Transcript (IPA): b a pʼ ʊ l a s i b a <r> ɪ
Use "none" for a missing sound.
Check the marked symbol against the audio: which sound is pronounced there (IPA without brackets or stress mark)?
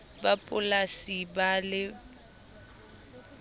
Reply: l